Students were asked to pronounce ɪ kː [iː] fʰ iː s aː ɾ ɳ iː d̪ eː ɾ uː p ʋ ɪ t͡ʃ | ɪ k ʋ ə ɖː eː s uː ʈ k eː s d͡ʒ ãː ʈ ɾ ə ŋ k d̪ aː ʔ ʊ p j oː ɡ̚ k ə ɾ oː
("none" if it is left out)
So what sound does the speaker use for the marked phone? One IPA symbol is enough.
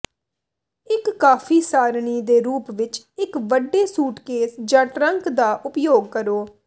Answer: aː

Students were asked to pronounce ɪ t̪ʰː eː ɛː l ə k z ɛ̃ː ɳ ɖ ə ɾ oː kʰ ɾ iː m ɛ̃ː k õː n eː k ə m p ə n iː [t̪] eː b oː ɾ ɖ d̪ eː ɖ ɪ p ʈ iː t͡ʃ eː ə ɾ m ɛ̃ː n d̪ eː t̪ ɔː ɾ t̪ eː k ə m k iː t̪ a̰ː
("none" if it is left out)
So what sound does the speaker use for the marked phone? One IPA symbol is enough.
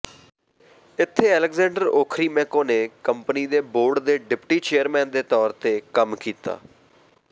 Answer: d̪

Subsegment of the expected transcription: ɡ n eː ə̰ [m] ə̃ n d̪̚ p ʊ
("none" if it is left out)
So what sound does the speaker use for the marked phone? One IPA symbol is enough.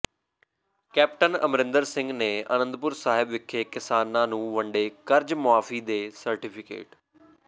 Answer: n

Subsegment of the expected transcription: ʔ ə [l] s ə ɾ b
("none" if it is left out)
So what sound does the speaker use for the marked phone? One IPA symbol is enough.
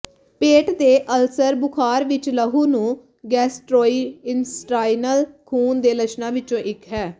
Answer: l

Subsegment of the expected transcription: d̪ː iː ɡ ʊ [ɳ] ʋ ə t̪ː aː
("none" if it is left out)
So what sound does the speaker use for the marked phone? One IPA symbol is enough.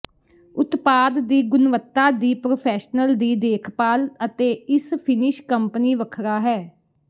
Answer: n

